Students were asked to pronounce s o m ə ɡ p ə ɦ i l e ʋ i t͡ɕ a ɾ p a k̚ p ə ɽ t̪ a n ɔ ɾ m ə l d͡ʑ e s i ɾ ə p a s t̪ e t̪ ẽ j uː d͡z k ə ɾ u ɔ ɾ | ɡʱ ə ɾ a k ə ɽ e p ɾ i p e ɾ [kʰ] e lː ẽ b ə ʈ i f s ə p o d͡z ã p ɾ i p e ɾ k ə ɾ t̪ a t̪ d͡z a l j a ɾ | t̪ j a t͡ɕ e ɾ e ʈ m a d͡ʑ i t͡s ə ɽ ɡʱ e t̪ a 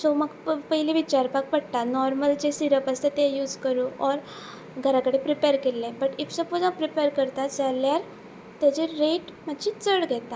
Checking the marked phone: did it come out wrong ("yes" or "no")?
yes